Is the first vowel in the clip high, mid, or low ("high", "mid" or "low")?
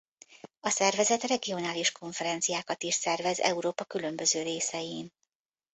low